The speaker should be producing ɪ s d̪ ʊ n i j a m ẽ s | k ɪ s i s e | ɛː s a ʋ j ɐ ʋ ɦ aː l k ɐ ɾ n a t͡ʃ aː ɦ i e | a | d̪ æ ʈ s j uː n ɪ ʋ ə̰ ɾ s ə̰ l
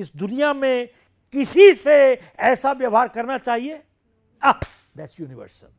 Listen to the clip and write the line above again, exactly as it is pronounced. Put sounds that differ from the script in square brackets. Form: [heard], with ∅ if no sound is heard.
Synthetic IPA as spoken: ɪ s d̪ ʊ n i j a m ẽ [∅] | k ɪ s i s e | ɛː s a ʋ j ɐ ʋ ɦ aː [ɾ] k ɐ ɾ n a t͡ʃ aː ɦ i e | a | d̪ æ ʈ s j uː n ɪ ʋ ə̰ ɾ s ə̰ l